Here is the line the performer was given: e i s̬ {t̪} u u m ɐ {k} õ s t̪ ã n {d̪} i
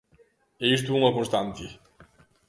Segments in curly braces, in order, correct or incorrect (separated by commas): correct, correct, incorrect